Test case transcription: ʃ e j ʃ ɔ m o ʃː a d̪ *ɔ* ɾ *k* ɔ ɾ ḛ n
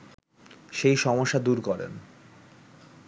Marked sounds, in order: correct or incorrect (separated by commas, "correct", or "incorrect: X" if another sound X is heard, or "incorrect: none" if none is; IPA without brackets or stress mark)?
incorrect: u, correct